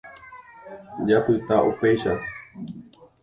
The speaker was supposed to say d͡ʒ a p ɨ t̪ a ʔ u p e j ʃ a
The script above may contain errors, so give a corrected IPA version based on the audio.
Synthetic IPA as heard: d͡ʒ a p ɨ t̪ a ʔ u p e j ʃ a